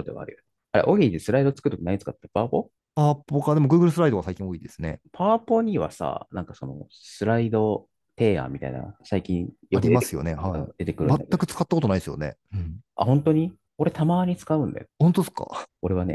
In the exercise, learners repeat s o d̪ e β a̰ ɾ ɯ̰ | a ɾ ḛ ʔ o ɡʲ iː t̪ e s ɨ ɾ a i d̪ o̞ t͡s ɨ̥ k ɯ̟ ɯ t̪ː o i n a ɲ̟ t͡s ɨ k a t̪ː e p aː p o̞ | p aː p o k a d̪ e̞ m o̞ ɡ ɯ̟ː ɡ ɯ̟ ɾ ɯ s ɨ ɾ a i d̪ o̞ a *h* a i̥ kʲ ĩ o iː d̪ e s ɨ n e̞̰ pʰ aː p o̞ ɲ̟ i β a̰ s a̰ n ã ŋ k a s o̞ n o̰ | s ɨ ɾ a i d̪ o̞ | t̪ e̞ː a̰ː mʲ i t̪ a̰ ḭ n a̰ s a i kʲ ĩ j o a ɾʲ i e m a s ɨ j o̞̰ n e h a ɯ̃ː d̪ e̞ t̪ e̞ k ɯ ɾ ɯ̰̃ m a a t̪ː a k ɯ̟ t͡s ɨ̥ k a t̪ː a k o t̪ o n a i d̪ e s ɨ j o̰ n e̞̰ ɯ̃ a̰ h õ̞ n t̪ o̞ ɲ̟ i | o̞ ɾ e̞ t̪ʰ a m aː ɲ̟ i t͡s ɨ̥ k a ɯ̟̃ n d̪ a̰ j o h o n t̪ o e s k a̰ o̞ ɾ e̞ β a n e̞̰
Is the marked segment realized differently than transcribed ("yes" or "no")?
yes